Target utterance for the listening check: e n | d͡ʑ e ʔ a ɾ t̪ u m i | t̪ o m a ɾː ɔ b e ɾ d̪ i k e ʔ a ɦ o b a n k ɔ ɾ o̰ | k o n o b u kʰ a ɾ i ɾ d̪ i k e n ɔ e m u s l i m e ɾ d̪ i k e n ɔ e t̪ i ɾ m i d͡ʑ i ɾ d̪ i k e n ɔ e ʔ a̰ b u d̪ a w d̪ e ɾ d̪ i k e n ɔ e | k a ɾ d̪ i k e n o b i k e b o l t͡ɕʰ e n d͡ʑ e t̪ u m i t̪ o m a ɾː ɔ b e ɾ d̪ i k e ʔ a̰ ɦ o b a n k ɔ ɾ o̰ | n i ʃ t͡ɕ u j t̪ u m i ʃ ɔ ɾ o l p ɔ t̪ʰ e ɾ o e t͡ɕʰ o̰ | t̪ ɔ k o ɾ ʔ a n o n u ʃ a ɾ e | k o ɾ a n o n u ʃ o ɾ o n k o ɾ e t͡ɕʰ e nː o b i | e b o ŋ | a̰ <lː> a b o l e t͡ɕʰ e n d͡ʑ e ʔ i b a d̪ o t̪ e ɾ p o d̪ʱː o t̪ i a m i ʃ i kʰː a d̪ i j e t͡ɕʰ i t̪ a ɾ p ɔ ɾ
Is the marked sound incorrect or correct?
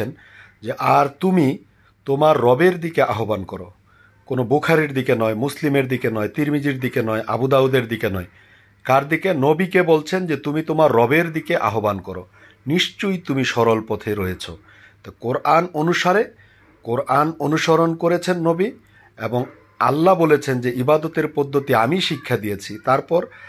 correct